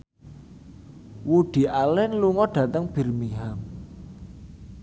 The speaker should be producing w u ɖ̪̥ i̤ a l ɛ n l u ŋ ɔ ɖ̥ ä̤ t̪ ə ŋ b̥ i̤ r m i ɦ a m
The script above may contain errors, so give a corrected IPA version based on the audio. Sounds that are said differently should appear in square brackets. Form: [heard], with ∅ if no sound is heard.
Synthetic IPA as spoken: w u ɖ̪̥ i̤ a l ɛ n l u ŋ ɔ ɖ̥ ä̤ t̪ ə ŋ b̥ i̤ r m i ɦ a m